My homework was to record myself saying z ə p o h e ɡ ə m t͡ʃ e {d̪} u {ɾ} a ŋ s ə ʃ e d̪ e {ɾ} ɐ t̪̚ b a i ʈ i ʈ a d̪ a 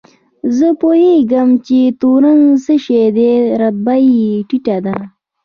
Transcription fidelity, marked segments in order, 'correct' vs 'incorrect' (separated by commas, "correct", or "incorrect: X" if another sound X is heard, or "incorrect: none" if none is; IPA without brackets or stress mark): incorrect: t̪, correct, correct